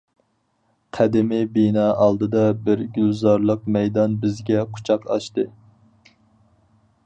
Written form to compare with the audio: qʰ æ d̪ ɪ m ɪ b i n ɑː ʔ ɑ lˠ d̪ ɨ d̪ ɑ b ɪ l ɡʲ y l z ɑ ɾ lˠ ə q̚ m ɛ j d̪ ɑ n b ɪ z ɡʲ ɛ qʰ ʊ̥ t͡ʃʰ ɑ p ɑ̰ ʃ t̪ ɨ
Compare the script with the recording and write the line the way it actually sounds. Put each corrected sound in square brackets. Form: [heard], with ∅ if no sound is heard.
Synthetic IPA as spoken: qʰ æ d̪ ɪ m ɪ b i n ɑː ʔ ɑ lˠ d̪ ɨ d̪ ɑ b ɪ [ɾ] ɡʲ y l z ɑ ɾ lˠ ə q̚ m ɛ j d̪ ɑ n b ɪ z ɡʲ ɛ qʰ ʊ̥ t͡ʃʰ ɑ [q] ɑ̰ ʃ t̪ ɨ